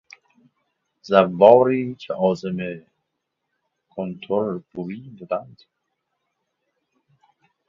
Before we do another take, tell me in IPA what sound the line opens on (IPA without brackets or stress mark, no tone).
z